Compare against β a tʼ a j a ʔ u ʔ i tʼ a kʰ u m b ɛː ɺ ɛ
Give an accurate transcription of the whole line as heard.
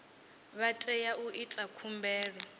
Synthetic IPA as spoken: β a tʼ ɛ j a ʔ u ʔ i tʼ a kʰ u m b ɛː ɺ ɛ

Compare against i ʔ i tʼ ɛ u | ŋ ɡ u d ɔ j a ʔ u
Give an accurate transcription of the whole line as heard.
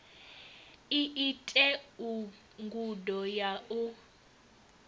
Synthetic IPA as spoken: i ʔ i tʼ ɛ u | ŋ ɡ u d ɔ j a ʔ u

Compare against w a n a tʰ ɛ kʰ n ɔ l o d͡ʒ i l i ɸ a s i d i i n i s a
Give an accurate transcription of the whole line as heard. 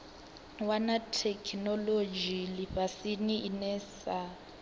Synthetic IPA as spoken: w a n a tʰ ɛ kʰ n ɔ l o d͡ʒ i l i ɸ a s i n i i n ɛ s a

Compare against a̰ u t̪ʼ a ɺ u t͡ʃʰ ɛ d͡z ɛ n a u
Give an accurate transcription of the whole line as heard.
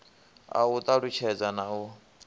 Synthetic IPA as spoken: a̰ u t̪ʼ a ɺ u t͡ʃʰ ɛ d͡z a n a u

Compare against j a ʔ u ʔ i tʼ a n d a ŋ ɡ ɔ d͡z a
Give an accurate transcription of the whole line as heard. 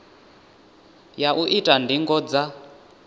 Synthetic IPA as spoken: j a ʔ u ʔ i tʼ a n d i ŋ ɡ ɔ d͡z a

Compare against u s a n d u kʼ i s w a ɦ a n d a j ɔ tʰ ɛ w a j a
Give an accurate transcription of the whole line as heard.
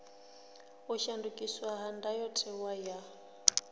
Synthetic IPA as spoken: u ʃ a n d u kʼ i s w a ɦ a n d a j ɔ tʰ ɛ w a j a

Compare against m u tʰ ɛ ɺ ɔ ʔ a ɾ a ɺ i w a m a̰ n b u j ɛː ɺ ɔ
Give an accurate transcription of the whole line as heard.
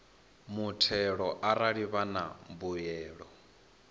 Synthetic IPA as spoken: m u tʰ ɛ ɺ ɔ ʔ a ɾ a ɺ i β a n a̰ m b u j ɛː ɺ ɔ

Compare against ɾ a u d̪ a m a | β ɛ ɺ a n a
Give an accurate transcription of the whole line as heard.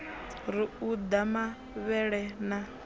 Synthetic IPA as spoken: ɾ i u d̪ a m a | β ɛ ɺ ɛ n a

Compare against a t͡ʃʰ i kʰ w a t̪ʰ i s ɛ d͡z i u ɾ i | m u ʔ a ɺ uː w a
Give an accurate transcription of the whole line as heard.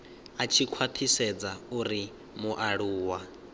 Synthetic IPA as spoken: a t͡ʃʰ i kʰ w a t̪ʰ i s ɛ d͡z a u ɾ i | m u ʔ a ɺ uː w a

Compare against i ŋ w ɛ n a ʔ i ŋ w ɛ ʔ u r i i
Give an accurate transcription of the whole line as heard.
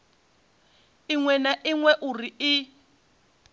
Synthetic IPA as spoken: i ŋ w ɛ n a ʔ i ŋ w ɛ ʔ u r i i

